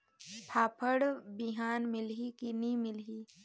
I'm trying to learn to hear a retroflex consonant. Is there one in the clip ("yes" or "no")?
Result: yes